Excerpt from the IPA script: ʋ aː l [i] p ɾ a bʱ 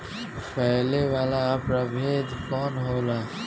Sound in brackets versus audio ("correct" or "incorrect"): incorrect